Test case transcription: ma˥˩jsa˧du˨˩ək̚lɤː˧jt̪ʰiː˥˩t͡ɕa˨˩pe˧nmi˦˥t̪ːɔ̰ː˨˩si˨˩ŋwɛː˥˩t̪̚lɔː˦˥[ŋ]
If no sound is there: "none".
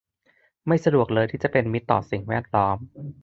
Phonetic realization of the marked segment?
m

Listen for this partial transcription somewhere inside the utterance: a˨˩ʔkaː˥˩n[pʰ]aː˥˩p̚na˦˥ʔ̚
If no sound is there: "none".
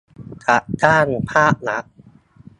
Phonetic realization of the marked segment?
pʰ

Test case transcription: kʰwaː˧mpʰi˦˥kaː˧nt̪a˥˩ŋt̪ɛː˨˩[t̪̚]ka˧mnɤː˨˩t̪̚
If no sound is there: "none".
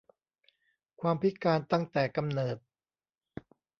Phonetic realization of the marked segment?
none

